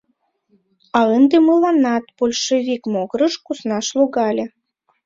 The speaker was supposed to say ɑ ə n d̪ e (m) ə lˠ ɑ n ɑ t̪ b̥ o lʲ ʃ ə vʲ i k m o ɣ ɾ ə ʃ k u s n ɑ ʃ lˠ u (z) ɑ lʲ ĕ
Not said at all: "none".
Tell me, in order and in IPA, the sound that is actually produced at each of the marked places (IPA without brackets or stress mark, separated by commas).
m, ɣ